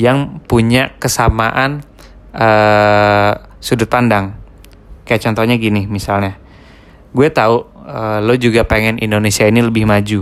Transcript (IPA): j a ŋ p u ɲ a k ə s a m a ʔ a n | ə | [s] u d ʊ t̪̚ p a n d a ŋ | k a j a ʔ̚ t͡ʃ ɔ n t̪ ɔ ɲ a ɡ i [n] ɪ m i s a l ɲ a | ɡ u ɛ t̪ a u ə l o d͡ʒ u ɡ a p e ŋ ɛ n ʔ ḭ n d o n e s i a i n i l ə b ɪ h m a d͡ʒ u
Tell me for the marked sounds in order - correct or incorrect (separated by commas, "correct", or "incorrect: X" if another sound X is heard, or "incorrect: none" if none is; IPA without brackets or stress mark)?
correct, correct